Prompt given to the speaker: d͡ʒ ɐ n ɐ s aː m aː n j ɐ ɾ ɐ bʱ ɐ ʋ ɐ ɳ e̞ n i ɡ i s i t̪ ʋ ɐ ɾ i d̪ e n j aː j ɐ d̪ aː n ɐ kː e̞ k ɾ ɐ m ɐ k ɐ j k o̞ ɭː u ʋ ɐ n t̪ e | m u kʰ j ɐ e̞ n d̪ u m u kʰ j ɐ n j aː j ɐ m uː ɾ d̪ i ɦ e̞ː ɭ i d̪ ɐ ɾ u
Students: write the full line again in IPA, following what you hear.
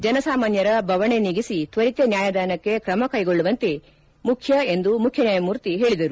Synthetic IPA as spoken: d͡ʒ ɐ n ɐ s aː m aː n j ɐ ɾ ɐ bʱ ɐ ʋ ɐ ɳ e̞ n i ɡ i s i t̪ ʋ ɐ ɾ i t̪ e n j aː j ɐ d̪ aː n ɐ kː e̞ k ɾ ɐ m ɐ k ɐ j ɡ o̞ ɭː u ʋ ɐ n t̪ e | m u kʰ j ɐ e̞ n d̪ u m u kʰ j ɐ n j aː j ɐ m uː ɾ t̪ i ɦ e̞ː ɭ i d̪ ɐ ɾ u